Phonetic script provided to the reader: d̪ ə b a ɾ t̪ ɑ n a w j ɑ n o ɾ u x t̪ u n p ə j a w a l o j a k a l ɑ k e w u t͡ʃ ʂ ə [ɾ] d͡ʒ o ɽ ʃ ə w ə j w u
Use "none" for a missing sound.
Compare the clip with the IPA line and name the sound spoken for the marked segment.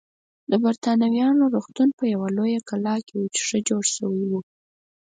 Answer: none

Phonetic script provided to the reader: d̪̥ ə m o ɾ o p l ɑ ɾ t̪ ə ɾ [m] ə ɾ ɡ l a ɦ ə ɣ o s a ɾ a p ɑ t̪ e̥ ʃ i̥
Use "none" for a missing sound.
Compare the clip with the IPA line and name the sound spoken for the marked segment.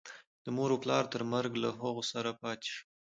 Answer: m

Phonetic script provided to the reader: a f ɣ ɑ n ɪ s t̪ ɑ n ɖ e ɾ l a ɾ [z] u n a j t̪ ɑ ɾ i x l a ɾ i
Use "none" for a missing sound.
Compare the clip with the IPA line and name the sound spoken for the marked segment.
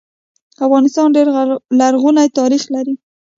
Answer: ɣ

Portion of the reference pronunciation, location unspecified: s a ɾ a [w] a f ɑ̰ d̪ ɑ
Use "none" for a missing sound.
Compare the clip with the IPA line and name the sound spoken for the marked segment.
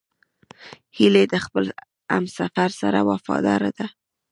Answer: w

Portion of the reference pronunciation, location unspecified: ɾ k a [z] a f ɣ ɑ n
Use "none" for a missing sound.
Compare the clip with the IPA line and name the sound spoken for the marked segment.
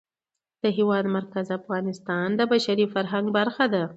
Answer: z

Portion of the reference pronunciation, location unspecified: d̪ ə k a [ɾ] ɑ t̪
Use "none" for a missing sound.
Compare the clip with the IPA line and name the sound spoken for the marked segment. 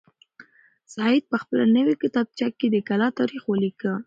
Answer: l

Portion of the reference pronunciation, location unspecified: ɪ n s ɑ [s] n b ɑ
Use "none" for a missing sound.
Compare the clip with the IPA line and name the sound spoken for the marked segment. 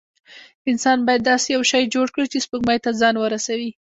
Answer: none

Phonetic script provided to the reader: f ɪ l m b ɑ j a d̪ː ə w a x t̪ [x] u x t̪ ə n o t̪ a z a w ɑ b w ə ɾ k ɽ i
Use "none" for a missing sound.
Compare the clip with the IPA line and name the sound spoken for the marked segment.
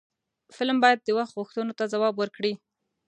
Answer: ɣ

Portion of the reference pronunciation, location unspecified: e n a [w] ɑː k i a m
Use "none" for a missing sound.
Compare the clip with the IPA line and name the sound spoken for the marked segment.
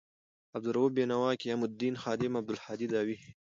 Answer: w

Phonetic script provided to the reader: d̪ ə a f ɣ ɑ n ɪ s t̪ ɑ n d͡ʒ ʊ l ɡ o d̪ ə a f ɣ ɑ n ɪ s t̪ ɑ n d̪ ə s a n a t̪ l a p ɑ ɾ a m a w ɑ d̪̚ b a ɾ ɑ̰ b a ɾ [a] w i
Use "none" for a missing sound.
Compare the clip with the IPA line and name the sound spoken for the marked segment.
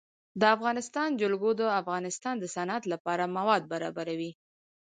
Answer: a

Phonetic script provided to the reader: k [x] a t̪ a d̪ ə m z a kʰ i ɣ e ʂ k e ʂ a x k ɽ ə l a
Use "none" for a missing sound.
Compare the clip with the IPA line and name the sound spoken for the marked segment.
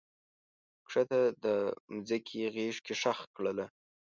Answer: ʂ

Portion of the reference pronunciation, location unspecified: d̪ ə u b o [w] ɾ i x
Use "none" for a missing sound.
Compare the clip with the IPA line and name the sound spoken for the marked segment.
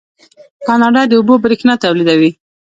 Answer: b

